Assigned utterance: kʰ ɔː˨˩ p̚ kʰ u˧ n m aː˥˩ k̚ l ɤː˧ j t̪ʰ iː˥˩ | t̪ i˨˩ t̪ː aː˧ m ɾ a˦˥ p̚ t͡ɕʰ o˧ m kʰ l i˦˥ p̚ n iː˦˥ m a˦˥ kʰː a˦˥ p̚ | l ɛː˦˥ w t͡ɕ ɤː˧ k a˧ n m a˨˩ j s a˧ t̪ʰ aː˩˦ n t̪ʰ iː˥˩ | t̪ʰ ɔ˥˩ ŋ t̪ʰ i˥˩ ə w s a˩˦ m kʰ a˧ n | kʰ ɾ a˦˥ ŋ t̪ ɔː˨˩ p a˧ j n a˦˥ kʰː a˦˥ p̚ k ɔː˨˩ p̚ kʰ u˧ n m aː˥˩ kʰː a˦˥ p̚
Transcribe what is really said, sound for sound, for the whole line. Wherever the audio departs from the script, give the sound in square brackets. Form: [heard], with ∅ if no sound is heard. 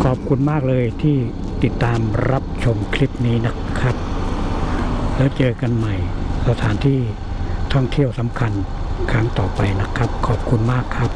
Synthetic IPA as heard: kʰ ɔː˨˩ p̚ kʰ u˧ n m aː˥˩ k̚ l ɤː˧ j t̪ʰ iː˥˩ | t̪ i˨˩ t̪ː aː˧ m ɾ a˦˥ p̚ t͡ɕʰ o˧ m kʰ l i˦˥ p̚ n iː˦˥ [n] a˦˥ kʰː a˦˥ p̚ | l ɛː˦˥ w t͡ɕ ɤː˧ k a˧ n m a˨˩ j s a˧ t̪ʰ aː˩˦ n t̪ʰ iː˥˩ | t̪ʰ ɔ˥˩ ŋ t̪ʰ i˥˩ ə w s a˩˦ m kʰ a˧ n | kʰ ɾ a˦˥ ŋ t̪ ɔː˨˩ p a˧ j n a˦˥ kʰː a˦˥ p̚ [kʰ] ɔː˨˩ p̚ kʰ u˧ n m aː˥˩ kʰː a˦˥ p̚